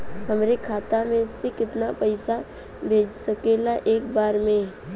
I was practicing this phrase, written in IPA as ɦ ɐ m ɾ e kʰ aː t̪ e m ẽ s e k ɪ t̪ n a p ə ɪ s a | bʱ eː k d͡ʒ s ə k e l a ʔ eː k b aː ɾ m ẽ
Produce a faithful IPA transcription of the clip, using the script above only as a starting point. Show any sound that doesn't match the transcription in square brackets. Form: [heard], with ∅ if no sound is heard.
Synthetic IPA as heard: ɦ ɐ m ɾ e kʰ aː t̪ [a] m ẽ s e k ɪ t̪ n a p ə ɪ s a | bʱ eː [∅] d͡ʒ s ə k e l a ʔ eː k b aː ɾ m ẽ